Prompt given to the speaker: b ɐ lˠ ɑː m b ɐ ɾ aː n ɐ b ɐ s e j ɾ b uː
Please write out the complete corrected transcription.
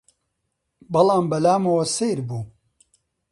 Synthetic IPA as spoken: b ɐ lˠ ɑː m b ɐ l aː m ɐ w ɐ s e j ɾ b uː